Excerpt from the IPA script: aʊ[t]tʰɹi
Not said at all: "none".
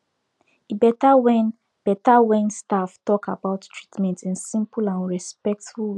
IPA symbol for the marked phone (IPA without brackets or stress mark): t